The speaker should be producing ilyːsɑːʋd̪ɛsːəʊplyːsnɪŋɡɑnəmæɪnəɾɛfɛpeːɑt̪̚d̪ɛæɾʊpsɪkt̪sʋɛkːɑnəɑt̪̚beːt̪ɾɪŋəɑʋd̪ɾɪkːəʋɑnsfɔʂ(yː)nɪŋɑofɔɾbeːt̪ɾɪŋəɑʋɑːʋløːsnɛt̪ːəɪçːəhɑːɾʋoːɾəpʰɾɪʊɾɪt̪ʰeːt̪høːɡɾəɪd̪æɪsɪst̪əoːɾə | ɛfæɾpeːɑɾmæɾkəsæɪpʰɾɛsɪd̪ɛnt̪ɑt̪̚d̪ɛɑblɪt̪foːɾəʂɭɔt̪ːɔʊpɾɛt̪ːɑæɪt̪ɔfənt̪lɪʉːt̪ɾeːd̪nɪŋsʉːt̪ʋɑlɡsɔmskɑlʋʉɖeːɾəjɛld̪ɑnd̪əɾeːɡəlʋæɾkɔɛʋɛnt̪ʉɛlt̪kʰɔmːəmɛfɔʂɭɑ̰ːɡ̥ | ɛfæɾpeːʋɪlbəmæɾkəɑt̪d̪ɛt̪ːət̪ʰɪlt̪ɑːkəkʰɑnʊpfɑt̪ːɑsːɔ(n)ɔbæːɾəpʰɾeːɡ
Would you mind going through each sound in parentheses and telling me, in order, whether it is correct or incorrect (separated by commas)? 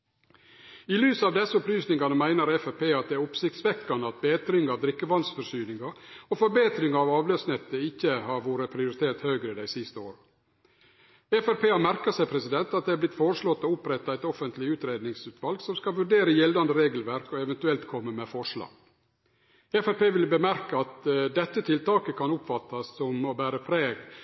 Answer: correct, incorrect